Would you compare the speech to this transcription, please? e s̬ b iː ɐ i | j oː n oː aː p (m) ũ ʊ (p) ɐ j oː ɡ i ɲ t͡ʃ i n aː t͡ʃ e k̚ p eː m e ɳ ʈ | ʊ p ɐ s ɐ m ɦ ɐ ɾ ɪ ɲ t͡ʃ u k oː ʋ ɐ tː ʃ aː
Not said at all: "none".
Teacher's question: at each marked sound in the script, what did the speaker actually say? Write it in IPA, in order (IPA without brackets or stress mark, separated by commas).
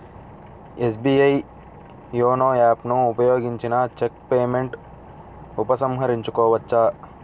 n, p